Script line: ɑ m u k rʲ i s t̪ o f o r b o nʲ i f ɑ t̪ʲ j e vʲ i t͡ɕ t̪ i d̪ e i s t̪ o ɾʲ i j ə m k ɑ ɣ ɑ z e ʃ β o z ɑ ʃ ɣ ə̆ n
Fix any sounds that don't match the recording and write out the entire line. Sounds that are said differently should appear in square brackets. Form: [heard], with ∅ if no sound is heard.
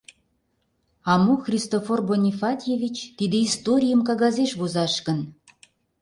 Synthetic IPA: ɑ m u [x] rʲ i s t̪ o f o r b o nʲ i f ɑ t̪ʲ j e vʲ i t͡ɕ t̪ i d̪ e i s t̪ o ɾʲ i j ə m k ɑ ɣ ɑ z e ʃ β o z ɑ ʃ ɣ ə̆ n